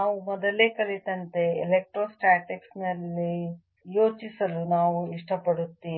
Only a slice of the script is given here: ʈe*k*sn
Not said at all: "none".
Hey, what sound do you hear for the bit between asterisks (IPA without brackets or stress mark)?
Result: k